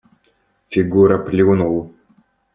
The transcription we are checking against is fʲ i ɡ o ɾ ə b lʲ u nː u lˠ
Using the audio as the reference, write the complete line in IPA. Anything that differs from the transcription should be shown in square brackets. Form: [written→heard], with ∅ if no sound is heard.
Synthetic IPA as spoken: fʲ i ɡ [o→u] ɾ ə [b→p] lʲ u [nː→n] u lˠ